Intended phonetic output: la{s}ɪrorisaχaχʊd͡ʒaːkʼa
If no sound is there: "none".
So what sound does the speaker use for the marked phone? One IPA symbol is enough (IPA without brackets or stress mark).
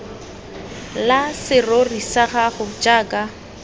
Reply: s